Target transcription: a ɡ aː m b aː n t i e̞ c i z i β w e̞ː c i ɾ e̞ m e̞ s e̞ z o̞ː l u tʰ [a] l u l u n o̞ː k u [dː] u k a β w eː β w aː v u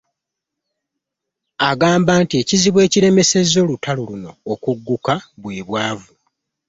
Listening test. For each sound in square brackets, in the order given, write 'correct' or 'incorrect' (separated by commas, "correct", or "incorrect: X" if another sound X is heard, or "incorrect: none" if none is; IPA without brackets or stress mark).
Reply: correct, incorrect: ɡː